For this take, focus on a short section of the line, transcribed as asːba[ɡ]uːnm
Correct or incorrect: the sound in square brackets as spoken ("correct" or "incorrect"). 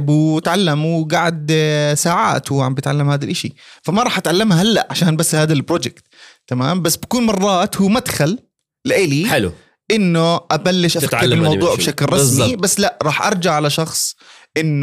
incorrect